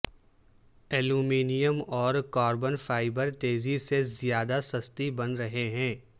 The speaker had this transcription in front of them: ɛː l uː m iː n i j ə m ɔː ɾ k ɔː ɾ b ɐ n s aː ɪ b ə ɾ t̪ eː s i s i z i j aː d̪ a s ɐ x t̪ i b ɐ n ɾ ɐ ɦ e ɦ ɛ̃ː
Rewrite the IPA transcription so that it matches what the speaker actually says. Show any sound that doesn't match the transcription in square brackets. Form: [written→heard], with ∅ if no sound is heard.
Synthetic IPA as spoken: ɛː l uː m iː n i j ə m ɔː ɾ k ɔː ɾ b [ɐ→ə] n [s→f] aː ɪ b ə ɾ t̪ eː [s→z] i s [i→e] z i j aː d̪ a s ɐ [x→s] t̪ i b ɐ n ɾ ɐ ɦ e ɦ ɛ̃ː